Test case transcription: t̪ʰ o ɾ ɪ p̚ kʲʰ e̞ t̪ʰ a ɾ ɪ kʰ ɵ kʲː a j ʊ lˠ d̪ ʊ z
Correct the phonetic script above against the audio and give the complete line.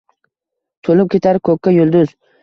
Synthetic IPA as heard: t̪ʰ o l ɪ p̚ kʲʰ e̞ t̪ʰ a ɾ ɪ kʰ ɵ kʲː a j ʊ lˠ d̪ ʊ z